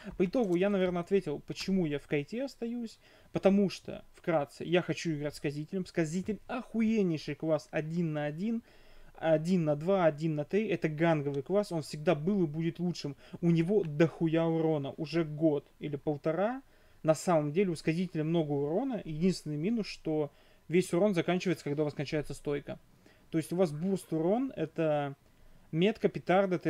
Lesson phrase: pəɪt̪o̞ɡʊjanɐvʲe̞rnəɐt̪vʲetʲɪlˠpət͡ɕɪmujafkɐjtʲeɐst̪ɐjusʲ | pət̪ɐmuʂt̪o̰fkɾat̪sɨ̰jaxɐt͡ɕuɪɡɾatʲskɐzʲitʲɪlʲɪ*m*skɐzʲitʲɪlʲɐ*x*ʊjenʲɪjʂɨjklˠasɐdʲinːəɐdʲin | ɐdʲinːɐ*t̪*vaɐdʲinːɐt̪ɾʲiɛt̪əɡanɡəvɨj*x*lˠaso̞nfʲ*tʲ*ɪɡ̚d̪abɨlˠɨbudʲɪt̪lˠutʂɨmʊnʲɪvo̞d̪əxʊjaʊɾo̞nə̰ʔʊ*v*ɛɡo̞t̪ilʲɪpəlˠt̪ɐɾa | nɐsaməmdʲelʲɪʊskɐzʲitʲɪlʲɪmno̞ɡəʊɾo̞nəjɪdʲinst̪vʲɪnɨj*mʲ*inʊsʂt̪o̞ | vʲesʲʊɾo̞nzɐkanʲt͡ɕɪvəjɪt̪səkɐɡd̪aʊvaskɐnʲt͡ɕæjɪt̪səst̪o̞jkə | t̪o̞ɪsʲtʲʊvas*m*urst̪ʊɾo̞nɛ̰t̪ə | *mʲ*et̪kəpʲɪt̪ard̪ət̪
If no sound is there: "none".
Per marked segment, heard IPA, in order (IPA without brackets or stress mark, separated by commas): m, x, d̪, k, sʲ, ʐ, mʲ, b, mʲ